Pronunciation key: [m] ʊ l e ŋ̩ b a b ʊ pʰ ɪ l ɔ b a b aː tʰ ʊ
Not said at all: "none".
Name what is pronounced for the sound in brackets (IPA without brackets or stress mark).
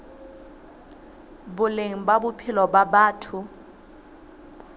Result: b